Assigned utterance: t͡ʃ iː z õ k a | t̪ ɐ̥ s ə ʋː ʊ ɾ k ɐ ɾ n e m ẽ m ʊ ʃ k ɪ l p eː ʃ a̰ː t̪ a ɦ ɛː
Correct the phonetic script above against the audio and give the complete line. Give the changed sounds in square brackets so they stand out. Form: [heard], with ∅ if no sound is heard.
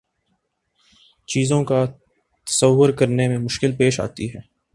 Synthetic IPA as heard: t͡ʃ iː z õ k a | t̪ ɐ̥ s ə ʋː ʊ ɾ k ɐ ɾ n e m ẽ m ʊ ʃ k ɪ l p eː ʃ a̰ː t̪ [i] ɦ ɛː